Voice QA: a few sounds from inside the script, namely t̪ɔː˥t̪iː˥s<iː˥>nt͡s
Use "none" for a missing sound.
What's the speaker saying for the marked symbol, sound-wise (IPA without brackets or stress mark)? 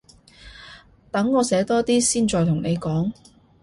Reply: iː˥